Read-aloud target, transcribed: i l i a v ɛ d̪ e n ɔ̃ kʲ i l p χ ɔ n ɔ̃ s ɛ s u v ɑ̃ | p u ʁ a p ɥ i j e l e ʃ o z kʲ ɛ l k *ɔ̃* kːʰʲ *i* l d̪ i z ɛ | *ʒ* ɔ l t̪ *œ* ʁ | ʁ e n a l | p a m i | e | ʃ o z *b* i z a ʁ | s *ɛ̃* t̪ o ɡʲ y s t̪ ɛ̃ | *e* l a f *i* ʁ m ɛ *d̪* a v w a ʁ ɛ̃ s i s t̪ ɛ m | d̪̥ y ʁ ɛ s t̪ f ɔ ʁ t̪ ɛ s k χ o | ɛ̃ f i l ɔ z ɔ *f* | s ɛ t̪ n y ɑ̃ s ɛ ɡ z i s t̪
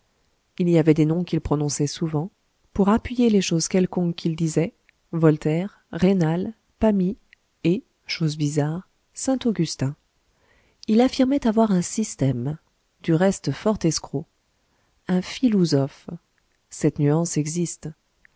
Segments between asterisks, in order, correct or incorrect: correct, correct, incorrect: v, incorrect: ɛ, correct, correct, incorrect: i, correct, incorrect: t̪, correct

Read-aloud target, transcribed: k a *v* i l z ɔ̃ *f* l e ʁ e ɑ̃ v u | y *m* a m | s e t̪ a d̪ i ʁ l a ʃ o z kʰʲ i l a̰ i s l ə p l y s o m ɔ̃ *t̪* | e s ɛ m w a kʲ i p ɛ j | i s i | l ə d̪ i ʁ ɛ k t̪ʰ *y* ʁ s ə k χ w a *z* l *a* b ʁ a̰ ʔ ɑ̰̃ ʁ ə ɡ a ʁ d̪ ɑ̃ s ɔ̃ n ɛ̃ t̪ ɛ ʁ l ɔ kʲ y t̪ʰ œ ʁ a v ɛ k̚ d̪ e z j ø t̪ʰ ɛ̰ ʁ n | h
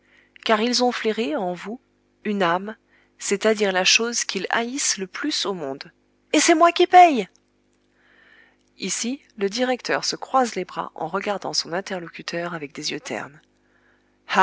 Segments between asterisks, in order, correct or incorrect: incorrect: ʁ, correct, incorrect: n, incorrect: d̪, incorrect: œ, correct, incorrect: e

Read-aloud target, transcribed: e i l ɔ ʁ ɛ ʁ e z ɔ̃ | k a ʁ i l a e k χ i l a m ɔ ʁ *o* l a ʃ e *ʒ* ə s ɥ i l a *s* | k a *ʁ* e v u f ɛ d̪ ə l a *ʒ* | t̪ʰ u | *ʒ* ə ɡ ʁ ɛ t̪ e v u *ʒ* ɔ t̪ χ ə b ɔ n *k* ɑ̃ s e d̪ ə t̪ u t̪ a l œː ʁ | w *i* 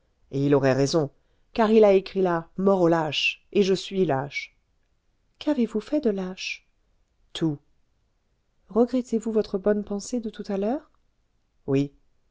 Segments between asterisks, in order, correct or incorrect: correct, correct, incorrect: ʃ, incorrect: v, incorrect: ʃ, incorrect: ʁ, incorrect: v, incorrect: p, correct

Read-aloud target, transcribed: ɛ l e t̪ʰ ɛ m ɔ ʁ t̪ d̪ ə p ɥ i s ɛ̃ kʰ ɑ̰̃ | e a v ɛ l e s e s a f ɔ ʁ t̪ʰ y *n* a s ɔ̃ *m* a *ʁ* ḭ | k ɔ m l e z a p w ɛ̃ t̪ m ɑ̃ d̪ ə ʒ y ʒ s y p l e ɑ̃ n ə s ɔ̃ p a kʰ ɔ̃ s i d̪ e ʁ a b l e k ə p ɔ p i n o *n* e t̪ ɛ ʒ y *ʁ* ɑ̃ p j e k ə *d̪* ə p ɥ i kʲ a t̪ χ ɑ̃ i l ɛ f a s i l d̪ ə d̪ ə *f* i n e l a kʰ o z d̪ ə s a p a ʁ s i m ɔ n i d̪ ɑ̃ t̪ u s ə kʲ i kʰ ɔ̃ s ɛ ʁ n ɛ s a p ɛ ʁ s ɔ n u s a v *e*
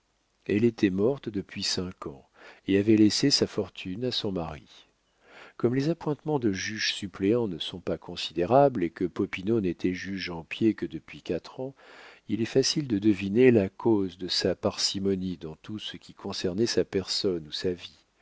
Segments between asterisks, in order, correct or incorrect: correct, correct, correct, correct, incorrect: ʒ, correct, incorrect: v, incorrect: i

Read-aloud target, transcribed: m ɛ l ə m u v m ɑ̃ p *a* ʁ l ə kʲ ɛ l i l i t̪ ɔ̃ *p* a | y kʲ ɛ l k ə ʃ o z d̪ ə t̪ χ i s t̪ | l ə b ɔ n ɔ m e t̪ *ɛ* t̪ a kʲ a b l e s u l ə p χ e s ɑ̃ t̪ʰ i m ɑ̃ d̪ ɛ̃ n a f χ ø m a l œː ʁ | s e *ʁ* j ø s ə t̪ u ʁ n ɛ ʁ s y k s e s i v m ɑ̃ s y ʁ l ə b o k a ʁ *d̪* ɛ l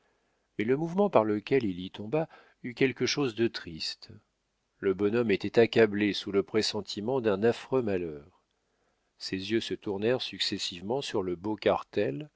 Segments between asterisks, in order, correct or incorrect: correct, incorrect: b, correct, incorrect: z, incorrect: t̪

